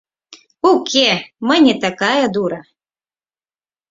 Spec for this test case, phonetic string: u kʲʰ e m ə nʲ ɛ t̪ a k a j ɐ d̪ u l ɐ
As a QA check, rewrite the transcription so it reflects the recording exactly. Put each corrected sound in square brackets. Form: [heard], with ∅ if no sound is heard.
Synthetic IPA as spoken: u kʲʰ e m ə nʲ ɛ t̪ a k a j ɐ d̪ u [ɾ] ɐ